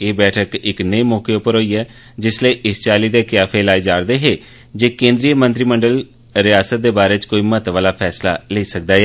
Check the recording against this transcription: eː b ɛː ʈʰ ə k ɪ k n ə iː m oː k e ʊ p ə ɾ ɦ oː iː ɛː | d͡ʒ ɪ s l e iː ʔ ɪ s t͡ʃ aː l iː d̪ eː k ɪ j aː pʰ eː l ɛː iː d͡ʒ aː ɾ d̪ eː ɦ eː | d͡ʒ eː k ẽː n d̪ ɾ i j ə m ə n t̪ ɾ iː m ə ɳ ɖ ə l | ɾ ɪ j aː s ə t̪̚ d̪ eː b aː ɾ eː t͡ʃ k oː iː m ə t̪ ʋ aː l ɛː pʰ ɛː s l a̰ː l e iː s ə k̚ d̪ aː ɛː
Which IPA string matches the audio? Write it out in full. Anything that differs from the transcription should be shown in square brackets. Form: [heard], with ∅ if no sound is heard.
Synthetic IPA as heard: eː b ɛː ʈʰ ə k ɪ k n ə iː m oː k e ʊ p ə ɾ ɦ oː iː ɛː | d͡ʒ ɪ s l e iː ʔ ɪ s t͡ʃ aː l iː d̪ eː k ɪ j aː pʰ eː l [aː] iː d͡ʒ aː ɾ d̪ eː ɦ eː | d͡ʒ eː k ẽː n d̪ ɾ i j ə m ə n t̪ ɾ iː m ə ɳ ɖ ə l | ɾ ɪ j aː s ə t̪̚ d̪ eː b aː ɾ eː t͡ʃ k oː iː m ə t̪ ʋ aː l [aː] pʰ ɛː s l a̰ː l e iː s ə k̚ d̪ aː ɛː

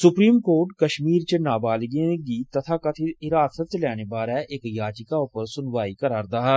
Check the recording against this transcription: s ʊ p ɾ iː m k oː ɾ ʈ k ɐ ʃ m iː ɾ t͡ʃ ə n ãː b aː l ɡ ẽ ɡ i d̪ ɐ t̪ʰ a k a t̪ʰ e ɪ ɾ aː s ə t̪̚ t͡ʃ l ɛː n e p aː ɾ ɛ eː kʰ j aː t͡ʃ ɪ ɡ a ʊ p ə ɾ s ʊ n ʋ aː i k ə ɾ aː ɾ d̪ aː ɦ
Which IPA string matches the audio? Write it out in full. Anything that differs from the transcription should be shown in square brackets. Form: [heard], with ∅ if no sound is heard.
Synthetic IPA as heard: s ʊ p ɾ iː m k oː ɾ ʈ k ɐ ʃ m iː ɾ t͡ʃ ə n [aː] b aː l ɡ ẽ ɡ i [t̪] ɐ t̪ʰ a k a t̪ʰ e ɪ ɾ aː s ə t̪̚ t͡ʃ l ɛː n e [b] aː ɾ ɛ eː [k] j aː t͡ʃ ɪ [k] a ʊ p ə ɾ s ʊ n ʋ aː i k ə ɾ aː ɾ d̪ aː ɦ

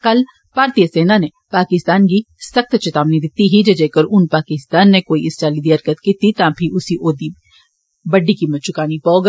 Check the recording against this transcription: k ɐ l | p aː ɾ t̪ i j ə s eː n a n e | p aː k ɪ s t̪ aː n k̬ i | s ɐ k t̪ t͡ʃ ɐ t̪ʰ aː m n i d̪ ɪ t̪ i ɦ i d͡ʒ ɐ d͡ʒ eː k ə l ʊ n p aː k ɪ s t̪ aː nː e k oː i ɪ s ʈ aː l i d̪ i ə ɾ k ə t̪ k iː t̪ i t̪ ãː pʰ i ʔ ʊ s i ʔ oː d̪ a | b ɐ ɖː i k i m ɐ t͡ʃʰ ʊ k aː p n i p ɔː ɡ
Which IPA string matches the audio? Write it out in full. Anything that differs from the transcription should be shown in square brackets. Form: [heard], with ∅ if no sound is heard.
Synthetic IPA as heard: k ɐ l | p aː ɾ t̪ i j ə s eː n a n e | p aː k ɪ s t̪ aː n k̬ i | s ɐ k t̪ t͡ʃ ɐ [t̪] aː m n i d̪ ɪ t̪ i ɦ i d͡ʒ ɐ d͡ʒ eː k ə [ɾ] ʊ n p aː k ɪ s t̪ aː nː e k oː i ɪ s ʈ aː l i d̪ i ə ɾ k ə t̪ k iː t̪ i t̪ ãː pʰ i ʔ ʊ s i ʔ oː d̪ [i] | b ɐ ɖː i k i m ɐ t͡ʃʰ ʊ k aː [∅] n i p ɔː ɡ

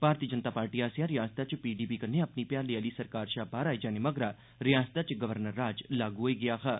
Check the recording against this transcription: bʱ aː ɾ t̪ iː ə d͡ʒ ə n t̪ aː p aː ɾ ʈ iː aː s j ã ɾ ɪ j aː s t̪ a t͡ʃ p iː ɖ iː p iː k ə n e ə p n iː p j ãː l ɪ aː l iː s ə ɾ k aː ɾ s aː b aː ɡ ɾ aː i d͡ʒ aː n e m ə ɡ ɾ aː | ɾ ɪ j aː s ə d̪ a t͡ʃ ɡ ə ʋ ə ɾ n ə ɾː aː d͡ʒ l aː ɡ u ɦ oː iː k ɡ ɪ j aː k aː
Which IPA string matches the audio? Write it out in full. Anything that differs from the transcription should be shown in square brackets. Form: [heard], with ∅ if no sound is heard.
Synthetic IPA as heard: bʱ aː ɾ t̪ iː ə d͡ʒ ə n t̪ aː p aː ɾ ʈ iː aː s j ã ɾ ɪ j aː s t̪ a t͡ʃ p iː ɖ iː p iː k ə n e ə p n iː p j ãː l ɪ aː l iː s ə ɾ k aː ɾ [ʃ] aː b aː [∅] ɾ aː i d͡ʒ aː n e m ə ɡ ɾ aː | ɾ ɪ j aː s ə [t̪] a t͡ʃ ɡ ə ʋ ə ɾ n ə ɾː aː d͡ʒ l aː ɡ u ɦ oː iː [∅] ɡ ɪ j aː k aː

